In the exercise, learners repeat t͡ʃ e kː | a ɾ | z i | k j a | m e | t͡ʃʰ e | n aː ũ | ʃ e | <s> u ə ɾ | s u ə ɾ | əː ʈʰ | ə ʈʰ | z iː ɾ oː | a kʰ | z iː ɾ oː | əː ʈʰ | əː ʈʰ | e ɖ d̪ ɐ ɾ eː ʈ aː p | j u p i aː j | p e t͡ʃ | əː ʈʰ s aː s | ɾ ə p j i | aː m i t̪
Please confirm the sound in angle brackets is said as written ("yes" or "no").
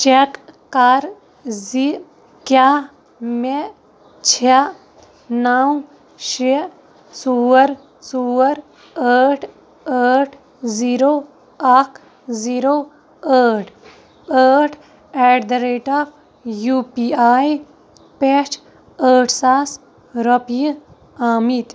yes